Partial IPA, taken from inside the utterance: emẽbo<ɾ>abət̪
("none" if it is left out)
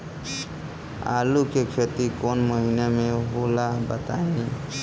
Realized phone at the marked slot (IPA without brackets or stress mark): l